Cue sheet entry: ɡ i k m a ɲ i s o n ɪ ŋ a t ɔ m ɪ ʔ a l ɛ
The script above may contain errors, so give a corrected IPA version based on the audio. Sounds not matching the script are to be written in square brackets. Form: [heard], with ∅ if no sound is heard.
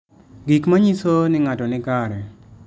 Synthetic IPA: ɡ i k m a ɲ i s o n ɪ ŋ a t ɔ [n] ɪ [k] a [ɾ] ɛ